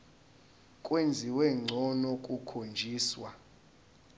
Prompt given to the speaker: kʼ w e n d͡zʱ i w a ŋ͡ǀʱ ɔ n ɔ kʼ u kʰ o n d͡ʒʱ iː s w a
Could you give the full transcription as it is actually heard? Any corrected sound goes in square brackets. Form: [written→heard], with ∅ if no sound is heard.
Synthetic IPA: kʼ w e n d͡zʱ i w [a→ɛ] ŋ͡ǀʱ ɔ n ɔ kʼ u kʰ o n d͡ʒʱ iː s w a